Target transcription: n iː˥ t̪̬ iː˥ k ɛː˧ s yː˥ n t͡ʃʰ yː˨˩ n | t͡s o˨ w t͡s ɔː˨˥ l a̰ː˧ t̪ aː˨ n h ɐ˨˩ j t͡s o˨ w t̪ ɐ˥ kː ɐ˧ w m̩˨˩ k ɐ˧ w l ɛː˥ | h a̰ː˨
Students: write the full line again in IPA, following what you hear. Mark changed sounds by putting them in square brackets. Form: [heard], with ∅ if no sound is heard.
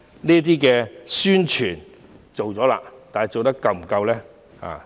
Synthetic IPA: n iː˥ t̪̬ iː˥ k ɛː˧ s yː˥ n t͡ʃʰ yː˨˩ n | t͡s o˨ w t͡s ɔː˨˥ l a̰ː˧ t̪ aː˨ n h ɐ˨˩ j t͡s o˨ w t̪ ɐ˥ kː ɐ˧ w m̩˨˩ k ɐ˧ w l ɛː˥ | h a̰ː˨